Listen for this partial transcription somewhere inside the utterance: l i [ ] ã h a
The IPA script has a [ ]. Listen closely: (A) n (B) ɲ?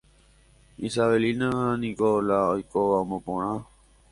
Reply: A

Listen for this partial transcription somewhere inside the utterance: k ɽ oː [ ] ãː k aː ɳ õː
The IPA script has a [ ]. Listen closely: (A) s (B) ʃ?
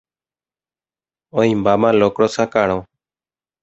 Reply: A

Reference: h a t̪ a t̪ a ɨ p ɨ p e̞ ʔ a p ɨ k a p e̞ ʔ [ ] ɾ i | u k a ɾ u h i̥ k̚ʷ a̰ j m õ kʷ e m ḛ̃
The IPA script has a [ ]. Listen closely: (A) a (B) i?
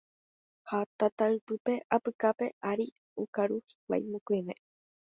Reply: A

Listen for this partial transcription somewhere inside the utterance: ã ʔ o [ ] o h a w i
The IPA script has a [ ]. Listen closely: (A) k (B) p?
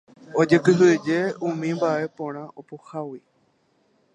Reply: B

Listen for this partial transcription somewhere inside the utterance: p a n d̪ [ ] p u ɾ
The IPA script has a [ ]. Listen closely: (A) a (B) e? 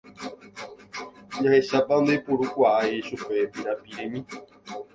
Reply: B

